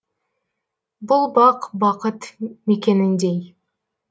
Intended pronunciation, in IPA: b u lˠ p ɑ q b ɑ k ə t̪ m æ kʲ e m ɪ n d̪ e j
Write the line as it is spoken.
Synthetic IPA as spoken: b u lˠ b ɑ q b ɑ q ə t̪ m e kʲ e n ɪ n d̪ e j